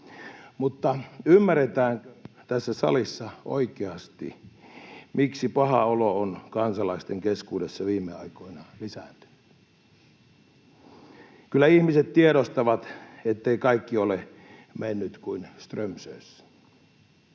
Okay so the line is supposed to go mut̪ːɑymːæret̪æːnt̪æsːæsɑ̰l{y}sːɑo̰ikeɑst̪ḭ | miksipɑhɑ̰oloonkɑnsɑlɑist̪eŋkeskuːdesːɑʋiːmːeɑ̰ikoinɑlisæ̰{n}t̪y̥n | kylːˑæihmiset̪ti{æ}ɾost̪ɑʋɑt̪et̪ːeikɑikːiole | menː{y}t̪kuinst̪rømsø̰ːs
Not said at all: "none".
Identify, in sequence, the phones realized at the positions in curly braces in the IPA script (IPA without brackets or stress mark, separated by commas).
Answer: i, n, e, y